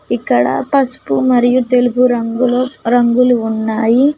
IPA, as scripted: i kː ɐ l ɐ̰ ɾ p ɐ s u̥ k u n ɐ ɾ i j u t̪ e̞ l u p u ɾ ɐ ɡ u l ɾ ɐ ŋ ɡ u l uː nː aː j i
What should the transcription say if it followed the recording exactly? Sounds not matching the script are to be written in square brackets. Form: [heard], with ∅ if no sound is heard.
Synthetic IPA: i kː ɐ [ɽ] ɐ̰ [∅] p ɐ s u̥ [p] u [m] ɐ ɾ i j u t̪ e̞ l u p u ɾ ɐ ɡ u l ɾ ɐ ŋ ɡ u l uː nː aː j i